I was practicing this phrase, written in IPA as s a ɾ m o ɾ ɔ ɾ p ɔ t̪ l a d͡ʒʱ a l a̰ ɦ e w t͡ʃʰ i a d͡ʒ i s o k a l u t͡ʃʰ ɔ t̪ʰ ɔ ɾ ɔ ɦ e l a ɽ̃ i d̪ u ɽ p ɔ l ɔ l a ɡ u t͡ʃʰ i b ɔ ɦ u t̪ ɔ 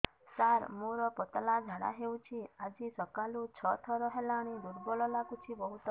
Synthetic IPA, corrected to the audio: s a ɾ m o ɾ ɔ p ɔ t̪ l a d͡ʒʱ a ɽ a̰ ɦ e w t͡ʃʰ i a d͡ʒ i s ɔ k a l u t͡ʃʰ ɔ t̪ʰ ɔ ɾ ɔ ɦ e l a ɽ̃ i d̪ u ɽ b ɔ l ɔ l a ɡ u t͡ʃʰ i b ɔ ɦ u t̪ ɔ